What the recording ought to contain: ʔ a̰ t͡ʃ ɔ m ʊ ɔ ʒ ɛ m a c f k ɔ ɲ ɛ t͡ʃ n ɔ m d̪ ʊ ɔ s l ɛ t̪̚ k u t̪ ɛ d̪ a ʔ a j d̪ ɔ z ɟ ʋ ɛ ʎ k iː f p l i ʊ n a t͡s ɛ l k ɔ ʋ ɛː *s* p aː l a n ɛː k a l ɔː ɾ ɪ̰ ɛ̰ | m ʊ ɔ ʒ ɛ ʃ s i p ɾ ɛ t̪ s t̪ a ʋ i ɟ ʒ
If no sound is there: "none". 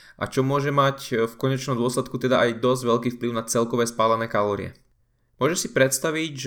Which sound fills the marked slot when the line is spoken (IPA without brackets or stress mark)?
s